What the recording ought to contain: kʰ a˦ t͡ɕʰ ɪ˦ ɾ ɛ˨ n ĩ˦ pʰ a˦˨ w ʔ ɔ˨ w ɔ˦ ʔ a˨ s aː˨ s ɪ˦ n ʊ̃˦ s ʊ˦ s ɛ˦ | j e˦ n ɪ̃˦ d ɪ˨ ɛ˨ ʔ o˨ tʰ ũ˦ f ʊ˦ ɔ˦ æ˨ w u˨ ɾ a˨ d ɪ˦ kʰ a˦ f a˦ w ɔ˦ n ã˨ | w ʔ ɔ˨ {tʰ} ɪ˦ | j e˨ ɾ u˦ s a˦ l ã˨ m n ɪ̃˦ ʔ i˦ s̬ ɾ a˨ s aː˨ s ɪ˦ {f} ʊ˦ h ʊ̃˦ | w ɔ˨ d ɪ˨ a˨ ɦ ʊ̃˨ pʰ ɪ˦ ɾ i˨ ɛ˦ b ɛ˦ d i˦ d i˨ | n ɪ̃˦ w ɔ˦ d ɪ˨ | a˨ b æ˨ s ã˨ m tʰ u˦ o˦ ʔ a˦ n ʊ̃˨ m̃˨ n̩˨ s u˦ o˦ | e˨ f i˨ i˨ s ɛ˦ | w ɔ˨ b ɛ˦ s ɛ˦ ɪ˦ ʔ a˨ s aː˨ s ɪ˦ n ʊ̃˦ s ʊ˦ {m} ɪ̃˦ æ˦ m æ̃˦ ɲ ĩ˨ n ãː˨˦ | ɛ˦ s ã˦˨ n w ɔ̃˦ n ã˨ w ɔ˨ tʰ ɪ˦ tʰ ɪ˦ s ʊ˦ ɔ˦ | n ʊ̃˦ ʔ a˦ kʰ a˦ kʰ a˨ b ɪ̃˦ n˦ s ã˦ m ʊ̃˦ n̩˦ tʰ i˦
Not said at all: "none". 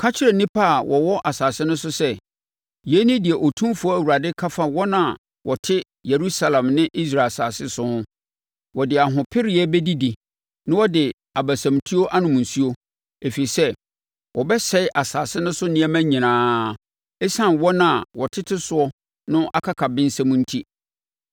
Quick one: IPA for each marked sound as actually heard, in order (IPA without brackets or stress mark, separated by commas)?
tʰ, s, n